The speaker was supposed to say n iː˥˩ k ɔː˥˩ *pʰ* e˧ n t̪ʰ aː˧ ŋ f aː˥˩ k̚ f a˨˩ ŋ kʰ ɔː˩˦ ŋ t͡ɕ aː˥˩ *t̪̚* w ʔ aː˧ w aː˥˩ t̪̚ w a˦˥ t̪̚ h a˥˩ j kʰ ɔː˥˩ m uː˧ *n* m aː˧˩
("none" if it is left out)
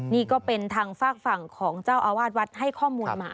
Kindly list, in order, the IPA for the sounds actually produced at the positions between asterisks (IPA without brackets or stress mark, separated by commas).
p, none, n